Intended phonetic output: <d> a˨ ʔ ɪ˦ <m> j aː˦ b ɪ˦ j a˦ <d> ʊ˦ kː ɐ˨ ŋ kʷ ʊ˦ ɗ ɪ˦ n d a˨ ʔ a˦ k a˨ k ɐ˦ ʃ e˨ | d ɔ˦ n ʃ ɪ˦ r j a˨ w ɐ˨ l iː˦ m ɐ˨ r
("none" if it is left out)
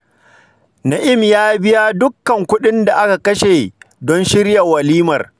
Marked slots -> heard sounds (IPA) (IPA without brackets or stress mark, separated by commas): n, m, d